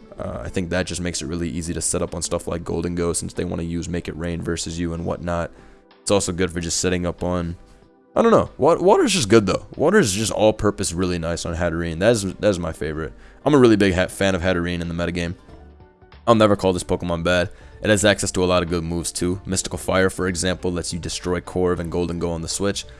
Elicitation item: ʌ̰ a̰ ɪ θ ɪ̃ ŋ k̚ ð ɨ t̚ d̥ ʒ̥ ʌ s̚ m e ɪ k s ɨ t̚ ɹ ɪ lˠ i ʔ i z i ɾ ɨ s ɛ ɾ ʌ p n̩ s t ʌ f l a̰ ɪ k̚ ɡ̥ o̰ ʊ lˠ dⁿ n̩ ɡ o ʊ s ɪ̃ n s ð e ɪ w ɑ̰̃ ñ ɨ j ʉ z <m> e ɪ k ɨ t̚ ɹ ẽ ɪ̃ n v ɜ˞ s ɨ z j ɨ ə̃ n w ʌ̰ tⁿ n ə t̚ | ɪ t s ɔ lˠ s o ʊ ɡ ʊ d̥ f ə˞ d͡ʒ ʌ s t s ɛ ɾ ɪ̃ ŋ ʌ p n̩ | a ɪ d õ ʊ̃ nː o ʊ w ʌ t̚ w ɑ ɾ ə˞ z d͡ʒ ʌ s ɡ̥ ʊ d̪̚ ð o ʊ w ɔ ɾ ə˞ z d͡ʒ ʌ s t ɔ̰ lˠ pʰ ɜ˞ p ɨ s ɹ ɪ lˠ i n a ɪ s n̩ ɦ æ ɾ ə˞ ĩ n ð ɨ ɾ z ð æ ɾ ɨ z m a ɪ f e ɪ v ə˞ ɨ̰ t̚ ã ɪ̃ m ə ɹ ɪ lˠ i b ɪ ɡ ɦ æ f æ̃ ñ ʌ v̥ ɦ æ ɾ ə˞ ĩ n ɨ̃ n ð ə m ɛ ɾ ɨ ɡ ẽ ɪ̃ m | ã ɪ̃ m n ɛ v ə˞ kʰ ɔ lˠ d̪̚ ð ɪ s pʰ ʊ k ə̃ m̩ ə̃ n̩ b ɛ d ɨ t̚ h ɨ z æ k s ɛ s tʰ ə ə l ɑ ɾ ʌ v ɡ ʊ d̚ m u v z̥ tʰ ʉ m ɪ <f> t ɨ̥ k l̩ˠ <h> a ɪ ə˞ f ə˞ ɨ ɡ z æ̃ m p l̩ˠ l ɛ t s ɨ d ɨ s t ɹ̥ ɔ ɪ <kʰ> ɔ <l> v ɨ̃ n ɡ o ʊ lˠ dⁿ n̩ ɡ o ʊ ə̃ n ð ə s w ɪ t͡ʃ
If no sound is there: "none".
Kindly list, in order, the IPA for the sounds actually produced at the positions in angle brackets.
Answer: m, s, f, kʰ, ɹ

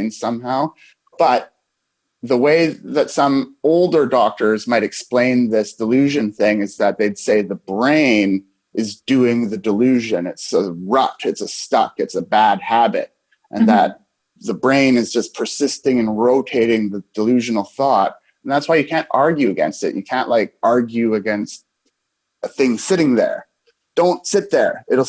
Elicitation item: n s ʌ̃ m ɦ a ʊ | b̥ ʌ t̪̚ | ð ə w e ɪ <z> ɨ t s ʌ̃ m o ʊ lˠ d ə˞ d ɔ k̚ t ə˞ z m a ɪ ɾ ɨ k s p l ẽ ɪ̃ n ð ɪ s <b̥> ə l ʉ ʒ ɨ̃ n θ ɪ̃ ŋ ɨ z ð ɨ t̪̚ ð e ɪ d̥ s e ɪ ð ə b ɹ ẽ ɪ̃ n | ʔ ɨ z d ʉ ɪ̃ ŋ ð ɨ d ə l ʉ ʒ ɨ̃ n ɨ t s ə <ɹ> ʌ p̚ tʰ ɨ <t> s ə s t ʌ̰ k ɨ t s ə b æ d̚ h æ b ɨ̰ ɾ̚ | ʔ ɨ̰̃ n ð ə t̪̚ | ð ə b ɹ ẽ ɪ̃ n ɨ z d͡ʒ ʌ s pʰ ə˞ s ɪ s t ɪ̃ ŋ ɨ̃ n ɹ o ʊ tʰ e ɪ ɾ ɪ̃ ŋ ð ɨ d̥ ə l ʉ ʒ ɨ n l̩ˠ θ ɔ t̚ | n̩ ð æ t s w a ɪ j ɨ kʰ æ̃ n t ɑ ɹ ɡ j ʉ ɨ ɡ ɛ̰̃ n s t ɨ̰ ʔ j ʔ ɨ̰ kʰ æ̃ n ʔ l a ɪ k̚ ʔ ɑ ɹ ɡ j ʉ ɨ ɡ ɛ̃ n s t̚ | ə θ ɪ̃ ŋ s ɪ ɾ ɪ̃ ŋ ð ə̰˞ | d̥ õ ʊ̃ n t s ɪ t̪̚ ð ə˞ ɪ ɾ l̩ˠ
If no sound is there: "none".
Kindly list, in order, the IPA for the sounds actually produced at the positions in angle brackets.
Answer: ð, d̥, ɹ, t

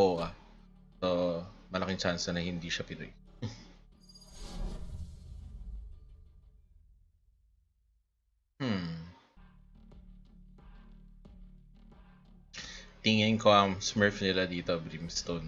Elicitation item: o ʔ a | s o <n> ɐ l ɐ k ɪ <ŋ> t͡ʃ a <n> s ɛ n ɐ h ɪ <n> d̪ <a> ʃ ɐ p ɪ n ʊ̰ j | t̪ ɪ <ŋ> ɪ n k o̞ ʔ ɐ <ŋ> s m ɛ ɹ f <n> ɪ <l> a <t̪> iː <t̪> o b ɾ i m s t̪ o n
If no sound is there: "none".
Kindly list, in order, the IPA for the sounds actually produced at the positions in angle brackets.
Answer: m, ŋ, n, n, i, ŋ, ŋ, n, l, d̪, t̪

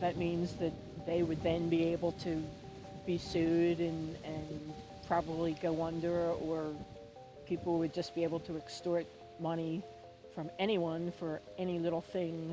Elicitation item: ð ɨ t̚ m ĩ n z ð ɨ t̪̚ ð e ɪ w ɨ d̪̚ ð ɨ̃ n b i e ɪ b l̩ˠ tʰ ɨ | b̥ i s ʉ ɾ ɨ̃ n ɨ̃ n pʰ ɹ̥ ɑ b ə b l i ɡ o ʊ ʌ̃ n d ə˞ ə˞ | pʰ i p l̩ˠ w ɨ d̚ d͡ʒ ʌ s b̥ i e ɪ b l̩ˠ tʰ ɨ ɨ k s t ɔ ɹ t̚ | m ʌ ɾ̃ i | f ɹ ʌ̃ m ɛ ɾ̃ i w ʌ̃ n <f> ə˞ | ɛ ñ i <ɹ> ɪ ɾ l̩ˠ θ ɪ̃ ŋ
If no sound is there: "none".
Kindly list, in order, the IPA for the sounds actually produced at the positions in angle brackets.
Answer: f, l

